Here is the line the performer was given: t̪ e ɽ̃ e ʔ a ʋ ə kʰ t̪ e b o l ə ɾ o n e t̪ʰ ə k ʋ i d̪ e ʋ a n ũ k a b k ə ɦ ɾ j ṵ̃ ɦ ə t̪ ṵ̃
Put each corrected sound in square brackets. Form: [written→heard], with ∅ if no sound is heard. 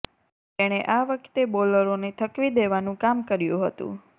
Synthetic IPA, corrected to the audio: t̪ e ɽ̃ e ʔ a ʋ ə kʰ t̪ e b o l ə ɾ o n e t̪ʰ ə k ʋ i d̪ e ʋ a n ũ k a [b→m] k ə [ɦ→∅] ɾ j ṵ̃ ɦ ə t̪ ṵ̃